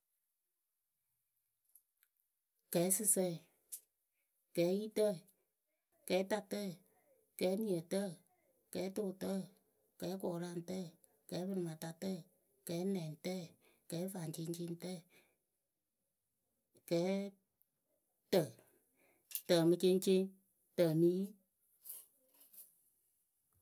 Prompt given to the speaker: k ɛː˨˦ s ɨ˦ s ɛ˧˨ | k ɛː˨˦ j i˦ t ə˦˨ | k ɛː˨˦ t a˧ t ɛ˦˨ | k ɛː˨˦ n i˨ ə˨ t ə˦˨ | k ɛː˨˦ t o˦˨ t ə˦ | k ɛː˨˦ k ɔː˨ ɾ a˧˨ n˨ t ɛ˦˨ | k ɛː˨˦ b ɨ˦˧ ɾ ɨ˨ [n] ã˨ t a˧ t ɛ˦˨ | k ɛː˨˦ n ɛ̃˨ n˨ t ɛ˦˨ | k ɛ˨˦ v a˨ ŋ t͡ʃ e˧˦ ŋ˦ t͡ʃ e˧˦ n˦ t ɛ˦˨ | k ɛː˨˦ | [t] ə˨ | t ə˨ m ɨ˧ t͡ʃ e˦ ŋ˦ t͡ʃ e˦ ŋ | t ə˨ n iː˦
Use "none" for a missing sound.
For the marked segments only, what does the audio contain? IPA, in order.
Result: m, t

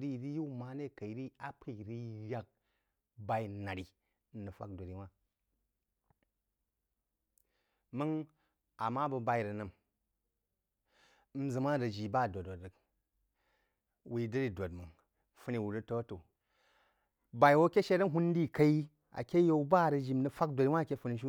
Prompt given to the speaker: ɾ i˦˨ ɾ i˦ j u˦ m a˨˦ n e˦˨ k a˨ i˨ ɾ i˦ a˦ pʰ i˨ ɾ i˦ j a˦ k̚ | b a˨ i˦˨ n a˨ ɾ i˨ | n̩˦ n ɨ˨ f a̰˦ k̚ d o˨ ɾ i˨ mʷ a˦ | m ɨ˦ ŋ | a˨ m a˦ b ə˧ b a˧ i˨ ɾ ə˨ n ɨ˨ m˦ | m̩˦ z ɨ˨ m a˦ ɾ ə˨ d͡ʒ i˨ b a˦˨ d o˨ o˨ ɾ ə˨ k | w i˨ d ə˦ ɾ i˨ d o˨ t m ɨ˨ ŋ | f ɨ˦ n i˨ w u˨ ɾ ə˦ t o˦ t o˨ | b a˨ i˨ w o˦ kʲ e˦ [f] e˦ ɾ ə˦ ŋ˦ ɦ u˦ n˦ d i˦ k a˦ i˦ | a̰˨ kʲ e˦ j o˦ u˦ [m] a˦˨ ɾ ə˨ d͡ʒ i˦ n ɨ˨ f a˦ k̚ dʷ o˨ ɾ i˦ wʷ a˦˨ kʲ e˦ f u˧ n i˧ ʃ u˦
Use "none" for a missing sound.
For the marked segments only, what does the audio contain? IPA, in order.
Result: ʃ, b

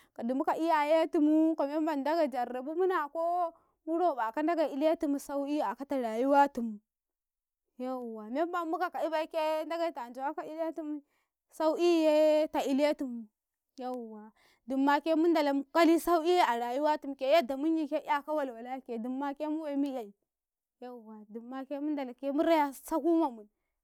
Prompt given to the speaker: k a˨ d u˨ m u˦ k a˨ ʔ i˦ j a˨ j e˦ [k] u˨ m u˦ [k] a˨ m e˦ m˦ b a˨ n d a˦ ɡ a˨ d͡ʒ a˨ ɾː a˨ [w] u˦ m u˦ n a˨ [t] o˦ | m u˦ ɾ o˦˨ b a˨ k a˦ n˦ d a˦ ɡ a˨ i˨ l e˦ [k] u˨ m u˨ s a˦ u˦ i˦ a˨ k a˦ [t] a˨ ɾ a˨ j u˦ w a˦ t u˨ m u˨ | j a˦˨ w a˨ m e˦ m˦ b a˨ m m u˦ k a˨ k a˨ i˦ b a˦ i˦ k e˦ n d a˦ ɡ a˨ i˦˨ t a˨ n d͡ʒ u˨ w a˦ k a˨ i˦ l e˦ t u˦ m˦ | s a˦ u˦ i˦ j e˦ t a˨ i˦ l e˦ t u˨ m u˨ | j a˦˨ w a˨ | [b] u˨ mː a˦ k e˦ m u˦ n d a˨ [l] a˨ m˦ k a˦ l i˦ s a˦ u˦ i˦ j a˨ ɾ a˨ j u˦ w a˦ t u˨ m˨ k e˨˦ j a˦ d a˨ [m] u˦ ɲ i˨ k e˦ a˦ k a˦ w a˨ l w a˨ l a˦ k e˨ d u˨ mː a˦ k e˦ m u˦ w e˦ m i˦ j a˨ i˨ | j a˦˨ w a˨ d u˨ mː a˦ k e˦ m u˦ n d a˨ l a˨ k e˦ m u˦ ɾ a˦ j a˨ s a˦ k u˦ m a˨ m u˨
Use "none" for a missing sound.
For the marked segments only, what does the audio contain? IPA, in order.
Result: t, k, b, k, t, t, d, l, m

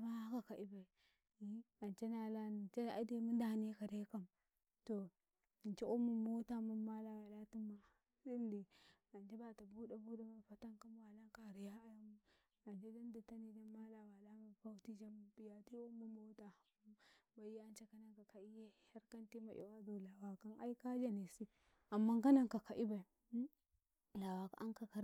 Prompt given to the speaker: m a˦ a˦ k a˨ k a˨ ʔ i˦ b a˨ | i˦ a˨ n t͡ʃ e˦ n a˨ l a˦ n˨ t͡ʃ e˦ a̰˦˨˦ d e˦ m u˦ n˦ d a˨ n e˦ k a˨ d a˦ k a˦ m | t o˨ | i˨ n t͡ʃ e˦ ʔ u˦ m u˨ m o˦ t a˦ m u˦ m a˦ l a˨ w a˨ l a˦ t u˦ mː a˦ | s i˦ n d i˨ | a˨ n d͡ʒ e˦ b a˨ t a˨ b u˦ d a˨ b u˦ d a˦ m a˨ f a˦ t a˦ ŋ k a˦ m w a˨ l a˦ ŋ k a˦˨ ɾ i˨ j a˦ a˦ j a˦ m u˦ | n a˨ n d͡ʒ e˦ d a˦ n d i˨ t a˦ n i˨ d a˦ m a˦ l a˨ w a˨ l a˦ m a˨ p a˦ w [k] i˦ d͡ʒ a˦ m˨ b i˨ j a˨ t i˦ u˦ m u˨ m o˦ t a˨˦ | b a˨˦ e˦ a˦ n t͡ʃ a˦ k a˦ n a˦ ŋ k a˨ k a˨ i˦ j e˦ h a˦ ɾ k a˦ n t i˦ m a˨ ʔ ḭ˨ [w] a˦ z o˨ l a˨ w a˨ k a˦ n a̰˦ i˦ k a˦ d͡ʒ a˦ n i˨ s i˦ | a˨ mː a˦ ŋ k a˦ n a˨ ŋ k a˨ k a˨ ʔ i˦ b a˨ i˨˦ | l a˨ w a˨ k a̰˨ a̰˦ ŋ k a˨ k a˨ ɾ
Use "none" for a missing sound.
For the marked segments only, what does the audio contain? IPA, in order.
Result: t, w

